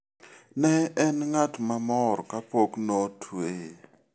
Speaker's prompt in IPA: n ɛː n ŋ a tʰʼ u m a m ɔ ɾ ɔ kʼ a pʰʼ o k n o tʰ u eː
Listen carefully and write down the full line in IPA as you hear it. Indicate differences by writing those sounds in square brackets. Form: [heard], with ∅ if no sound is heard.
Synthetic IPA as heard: n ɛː n ŋ a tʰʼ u m a m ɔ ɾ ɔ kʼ a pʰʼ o k n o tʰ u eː